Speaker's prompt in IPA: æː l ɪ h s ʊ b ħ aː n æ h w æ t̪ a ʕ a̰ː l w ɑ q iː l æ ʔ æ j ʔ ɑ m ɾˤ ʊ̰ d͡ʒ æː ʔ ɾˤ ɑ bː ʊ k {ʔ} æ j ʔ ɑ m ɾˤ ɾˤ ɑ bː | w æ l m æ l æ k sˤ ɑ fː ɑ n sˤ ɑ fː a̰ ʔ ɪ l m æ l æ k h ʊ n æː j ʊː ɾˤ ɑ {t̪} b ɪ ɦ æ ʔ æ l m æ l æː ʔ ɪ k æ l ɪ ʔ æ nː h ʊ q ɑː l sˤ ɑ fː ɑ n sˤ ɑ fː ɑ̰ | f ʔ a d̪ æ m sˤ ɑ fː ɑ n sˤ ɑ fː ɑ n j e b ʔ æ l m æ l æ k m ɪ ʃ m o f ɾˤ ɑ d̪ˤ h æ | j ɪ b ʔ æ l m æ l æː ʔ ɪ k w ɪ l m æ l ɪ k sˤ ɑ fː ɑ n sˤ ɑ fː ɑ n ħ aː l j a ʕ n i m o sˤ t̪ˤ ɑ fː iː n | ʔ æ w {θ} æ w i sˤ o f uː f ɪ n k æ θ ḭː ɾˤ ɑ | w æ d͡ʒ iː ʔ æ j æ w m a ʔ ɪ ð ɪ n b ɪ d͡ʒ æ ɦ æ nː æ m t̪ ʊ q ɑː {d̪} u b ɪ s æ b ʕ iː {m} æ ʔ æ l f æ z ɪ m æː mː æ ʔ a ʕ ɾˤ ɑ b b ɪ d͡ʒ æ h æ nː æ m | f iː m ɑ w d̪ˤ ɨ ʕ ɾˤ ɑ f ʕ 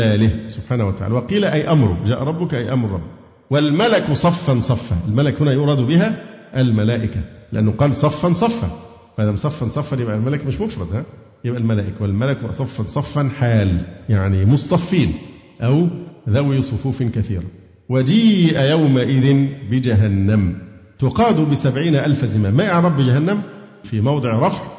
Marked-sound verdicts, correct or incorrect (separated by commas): correct, incorrect, incorrect, correct, incorrect